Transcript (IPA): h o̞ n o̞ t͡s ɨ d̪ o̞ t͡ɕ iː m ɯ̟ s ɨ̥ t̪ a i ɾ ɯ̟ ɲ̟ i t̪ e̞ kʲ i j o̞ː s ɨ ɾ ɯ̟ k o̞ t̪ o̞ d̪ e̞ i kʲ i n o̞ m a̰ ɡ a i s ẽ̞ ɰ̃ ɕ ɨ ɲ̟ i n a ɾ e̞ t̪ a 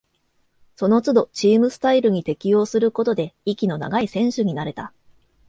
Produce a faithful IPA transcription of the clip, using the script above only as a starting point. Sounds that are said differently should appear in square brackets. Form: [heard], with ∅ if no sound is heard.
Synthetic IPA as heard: [s] o̞ n o̞ t͡s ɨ d̪ o̞ t͡ɕ iː m ɯ̟ s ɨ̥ t̪ a i ɾ ɯ̟ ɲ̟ i t̪ e̞ kʲ i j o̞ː s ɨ ɾ ɯ̟ k o̞ t̪ o̞ d̪ e̞ i kʲ i n o̞ [n] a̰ ɡ a i s ẽ̞ ɰ̃ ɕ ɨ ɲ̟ i n a ɾ e̞ t̪ a